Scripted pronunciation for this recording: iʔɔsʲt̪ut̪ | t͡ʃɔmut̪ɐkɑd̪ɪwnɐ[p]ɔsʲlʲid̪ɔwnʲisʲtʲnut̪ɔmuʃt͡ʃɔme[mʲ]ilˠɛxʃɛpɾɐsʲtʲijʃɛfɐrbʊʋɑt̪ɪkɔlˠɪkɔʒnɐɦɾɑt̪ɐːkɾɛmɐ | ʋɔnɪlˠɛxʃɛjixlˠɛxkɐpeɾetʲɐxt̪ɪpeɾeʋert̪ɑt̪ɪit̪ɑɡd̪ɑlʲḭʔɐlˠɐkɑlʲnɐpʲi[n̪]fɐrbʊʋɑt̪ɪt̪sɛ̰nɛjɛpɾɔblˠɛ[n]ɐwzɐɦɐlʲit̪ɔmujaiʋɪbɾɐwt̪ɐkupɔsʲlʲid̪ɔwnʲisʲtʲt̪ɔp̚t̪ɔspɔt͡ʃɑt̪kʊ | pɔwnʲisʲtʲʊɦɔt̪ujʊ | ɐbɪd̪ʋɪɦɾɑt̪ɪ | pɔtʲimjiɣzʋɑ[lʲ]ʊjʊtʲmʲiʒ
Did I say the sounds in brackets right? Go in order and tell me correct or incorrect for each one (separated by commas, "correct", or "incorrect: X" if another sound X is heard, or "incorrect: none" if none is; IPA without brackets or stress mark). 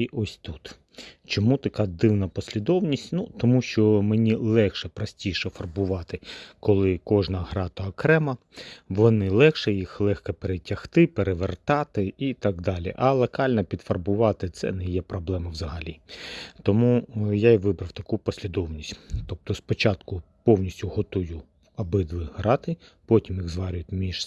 correct, incorrect: nʲ, incorrect: d̪, incorrect: m, incorrect: ɾʲ